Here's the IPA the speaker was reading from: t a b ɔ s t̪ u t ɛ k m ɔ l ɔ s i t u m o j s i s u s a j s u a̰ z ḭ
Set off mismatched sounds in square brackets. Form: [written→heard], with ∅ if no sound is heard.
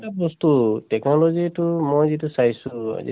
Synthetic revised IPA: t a b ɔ s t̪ u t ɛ k [m→n] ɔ l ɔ [s→z] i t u m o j [s→z] i [s→t] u s a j s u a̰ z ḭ